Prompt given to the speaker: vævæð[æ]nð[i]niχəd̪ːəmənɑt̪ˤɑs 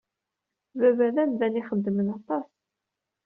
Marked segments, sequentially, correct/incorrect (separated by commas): correct, incorrect